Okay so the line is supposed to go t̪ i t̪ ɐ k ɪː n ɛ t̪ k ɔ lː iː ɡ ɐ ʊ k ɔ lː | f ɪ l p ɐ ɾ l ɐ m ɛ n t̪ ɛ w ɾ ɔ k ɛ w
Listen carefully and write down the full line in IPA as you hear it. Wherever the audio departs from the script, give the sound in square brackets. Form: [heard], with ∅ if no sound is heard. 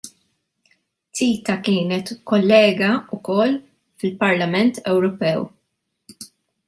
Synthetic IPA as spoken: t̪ [iː] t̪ ɐ k ɪː n ɛ t̪ k ɔ lː [ɛː] ɡ ɐ ʊ k ɔ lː | f ɪ l p ɐ ɾ l ɐ m ɛ n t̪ ɛ w ɾ ɔ [p] ɛ w